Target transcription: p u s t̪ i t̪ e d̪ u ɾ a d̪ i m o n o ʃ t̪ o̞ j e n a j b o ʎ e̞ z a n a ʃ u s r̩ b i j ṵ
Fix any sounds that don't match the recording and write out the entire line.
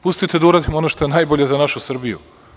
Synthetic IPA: p u s t̪ i t̪ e d̪ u ɾ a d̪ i m o n o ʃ t̪ o̞ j e n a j b o ʎ e̞ z a n a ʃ u s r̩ b i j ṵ